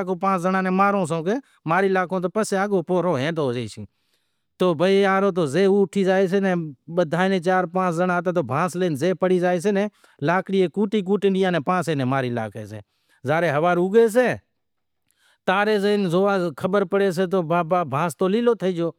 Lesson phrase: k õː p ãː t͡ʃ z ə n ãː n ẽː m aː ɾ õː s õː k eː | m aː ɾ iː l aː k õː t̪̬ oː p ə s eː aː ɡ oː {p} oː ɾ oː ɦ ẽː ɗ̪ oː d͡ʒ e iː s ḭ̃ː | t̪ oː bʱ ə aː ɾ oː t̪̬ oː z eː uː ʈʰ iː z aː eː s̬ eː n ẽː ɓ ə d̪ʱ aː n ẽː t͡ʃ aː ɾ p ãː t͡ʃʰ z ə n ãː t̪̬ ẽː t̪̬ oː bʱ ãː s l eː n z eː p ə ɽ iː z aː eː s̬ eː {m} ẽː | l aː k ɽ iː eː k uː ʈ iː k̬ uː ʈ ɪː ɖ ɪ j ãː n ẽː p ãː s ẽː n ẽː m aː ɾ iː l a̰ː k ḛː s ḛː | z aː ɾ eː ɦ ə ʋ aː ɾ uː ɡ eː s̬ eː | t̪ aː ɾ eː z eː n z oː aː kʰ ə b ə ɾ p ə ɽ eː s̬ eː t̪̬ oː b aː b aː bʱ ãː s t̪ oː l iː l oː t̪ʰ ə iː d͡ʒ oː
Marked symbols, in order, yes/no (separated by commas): yes, no